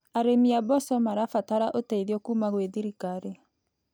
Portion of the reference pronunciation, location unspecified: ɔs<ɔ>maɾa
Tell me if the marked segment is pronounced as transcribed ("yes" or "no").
yes